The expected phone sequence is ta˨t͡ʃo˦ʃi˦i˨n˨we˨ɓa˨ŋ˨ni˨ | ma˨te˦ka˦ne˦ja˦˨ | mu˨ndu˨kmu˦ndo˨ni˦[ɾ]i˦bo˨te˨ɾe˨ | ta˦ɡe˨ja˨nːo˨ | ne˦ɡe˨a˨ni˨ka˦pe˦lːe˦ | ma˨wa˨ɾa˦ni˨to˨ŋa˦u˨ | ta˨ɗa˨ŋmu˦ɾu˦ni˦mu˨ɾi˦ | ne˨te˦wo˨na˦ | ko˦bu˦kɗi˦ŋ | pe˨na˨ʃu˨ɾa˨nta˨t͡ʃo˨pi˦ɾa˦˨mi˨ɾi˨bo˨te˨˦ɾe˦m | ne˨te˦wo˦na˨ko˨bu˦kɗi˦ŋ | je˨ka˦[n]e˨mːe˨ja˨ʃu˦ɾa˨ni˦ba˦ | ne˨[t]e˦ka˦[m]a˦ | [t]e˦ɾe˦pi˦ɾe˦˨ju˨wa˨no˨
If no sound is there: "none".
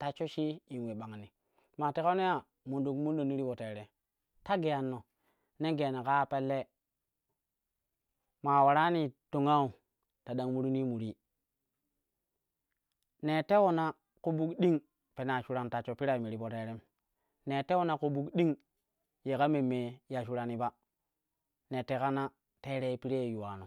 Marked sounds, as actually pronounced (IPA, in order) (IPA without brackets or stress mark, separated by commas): ɾ, m, t, n, t